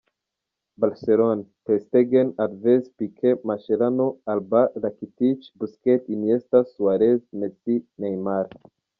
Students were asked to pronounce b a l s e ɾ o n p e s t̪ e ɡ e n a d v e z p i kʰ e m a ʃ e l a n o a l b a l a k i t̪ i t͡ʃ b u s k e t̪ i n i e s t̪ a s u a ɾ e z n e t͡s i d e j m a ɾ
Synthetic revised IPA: b a l s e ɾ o n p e s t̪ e ɡ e n a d v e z p i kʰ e m a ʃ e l a n o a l b a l a k i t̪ i t͡ʃ b u s k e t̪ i n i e s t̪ a s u a ɾ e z n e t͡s i n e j m a ɾ

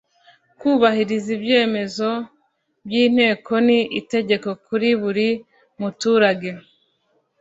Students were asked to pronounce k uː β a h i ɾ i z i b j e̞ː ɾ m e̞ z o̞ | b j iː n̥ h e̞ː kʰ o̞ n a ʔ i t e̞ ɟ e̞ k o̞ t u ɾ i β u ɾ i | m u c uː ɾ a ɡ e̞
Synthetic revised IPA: k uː β a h i ɾ i z i b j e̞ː m e̞ z o̞ | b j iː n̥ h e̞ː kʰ o̞ n i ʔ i t e̞ ɟ e̞ k o̞ k u ɾ i β u ɾ i | m u t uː ɾ a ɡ e̞

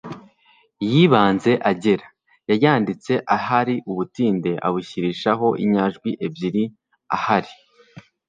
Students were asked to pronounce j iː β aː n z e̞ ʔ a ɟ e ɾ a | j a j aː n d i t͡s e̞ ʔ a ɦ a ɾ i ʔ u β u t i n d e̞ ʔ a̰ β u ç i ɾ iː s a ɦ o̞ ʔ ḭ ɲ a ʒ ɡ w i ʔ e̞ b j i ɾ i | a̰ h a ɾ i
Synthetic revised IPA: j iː β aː n z e̞ ʔ a ɟ e ɾ a | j a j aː n d i t͡s e̞ ʔ a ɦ a ɾ i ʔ u β u t iː n d e̞ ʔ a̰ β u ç i ɾ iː ʃ a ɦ o̞ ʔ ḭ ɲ a ʒ ɡ w i ʔ e̞ b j i ɾ i | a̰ h a ɾ i

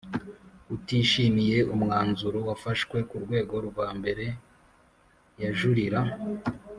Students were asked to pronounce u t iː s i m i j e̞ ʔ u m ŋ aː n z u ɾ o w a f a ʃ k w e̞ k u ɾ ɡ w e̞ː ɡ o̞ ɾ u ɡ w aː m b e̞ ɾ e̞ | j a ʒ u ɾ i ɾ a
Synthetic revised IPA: u t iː ʃ i m i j e̞ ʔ u m ŋ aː n z u ɾ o w a f a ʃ k w e̞ k u ɾ ɡ w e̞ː ɡ o̞ ɾ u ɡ w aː m b e̞ ɾ e̞ | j a ʒ u ɾ i ɾ a

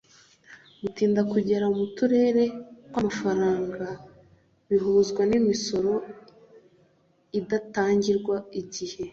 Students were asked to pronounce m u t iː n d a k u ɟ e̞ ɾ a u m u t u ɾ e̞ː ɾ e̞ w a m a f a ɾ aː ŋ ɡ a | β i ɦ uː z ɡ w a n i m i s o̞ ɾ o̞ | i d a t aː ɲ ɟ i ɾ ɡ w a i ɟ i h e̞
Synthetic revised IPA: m u t iː n d a k u ɟ e̞ ɾ a u m u t u ɾ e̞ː ɾ e̞ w a m a f a ɾ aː ŋ ɡ a | β i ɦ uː z ɡ w a n i m i s o̞ ɾ o̞ | i d a t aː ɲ ɟ i ɾ ɡ w a i ɟ i h e̞

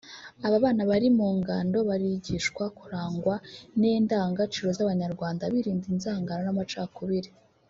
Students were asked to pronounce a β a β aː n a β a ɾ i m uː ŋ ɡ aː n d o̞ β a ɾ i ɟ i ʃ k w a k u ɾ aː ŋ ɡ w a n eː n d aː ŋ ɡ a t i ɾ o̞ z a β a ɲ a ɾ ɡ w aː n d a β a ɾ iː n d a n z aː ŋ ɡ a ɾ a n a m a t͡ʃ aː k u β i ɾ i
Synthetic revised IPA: a β a β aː n a β a ɾ i m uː ŋ ɡ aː n d o̞ β a ɾ i ɟ i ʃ k w a k u ɾ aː ŋ ɡ w a n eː n d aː ŋ ɡ a t͡ʃ i ɾ o̞ z a β a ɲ a ɾ ɡ w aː n d a β i ɾ iː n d i n z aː ŋ ɡ a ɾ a n a m a t͡ʃ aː k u β i ɾ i

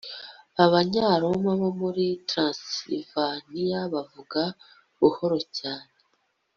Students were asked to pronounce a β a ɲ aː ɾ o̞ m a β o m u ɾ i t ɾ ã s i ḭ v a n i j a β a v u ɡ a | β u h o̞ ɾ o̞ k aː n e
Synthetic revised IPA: a β a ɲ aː ɾ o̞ m a β o m u ɾ i t ɾ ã s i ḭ v a n i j a β a v u ɡ a | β u h o̞ ɾ o̞ c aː n e

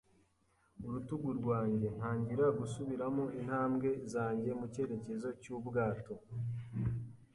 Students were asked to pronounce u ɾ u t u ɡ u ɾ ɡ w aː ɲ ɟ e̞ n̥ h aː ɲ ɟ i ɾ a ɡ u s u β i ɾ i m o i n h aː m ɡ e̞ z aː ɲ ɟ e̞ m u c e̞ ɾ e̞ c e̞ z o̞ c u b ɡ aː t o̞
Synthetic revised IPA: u ɾ u t u ɡ u ɾ ɡ w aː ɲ ɟ e̞ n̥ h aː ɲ ɟ i ɾ a ɡ u s u β i ɾ a m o i n h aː m ɡ e̞ z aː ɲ ɟ e̞ m u c e̞ ɾ e̞ c e̞ z o̞ c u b ɡ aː t o̞

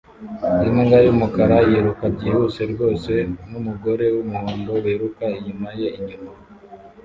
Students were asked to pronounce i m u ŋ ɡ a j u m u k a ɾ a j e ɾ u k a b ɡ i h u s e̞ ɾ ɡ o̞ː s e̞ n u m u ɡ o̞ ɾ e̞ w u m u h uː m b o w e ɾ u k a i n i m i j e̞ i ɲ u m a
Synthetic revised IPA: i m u ŋ ɡ a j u m u k a ɾ a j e ɾ u k a b ɟ i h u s e̞ ɾ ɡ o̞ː s e̞ n u m u ɡ o̞ ɾ e̞ w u m u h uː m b o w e ɾ u k a i ɲ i m a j e̞ i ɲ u m a

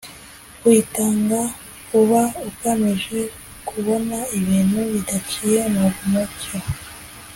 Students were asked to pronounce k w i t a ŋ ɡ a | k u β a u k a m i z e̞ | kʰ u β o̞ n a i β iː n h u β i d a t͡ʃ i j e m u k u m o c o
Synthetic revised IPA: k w i t a ŋ ɡ a | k u β a u k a m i ʒ e̞ | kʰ u β o̞ n a i β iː n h u β i d a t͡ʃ i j e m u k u m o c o

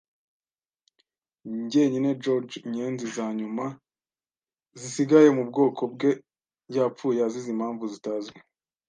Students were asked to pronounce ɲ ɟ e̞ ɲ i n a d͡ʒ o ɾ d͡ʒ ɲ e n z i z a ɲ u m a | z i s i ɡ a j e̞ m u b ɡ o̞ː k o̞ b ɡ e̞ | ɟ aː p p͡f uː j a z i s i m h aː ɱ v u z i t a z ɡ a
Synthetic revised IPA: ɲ ɟ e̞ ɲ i n e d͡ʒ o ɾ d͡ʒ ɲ e n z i z a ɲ u m a | z i s i ɡ a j e̞ m u b ɡ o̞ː k o̞ b ɡ e̞ | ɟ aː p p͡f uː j a z i z i m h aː ɱ v u z i t a z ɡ e

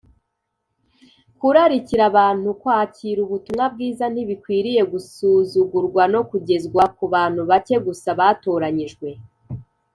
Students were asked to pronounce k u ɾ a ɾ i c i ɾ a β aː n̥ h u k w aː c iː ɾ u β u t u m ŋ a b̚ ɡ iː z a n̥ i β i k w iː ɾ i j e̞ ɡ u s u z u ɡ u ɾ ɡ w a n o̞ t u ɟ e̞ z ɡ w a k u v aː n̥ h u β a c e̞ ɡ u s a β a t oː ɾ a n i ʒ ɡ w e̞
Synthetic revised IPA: k u ɾ a ɾ i c i ɾ a β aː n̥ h u k w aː c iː ɾ u β u t u m ŋ a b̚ ɡ iː z a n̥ i β i k w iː ɾ i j e̞ ɡ u s u z u ɡ u ɾ ɡ w a n o̞ k u ɟ e̞ z ɡ w a k u β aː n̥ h u β a c e̞ ɡ u s a β a t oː ɾ a ɲ i ʒ ɡ w e̞

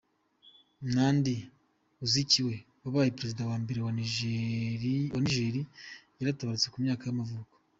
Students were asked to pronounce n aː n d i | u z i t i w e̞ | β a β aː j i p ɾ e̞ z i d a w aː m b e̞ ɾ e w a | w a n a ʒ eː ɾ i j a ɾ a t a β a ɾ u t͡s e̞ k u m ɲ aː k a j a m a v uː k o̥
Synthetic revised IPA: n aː n d i | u z i c i w e̞ | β a β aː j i p ɾ e̞ z i d a w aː m b e̞ ɾ e w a | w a n i ʒ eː ɾ i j a ɾ a t a β a ɾ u t͡s e̞ k u m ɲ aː k a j a m a v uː k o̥

